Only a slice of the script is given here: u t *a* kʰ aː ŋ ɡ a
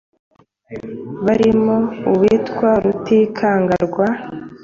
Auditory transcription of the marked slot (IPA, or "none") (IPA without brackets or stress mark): i